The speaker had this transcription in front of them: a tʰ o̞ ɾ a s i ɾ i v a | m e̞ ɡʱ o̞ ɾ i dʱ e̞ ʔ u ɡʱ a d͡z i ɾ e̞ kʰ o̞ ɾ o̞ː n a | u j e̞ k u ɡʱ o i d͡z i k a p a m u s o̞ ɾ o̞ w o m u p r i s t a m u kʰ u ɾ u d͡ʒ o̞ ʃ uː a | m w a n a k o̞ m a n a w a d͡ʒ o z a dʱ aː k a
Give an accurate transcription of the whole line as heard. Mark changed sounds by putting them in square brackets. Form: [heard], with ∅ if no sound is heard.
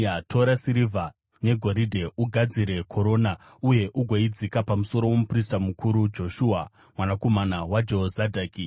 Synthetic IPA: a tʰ o̞ ɾ a s i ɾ i v a | [n] e̞ ɡʱ o̞ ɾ i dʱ e̞ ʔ u ɡʱ a d͡z i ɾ e̞ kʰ o̞ ɾ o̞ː n a | u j e̞ [ʔ] u ɡʱ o i d͡z i k a p a m u s o̞ ɾ o̞ w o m u p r i s t a m u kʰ u ɾ u d͡ʒ o̞ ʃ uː a | m w a n a k o̞ m a n a w a d͡ʒ o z a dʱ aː k [i]